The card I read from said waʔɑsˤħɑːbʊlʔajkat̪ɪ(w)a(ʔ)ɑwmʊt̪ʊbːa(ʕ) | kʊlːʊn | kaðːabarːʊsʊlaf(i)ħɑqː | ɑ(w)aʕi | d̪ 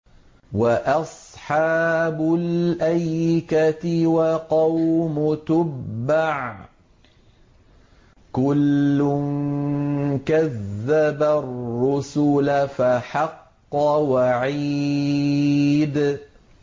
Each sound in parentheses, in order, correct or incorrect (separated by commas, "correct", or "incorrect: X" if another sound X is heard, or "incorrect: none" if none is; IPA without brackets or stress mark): correct, incorrect: q, correct, incorrect: a, correct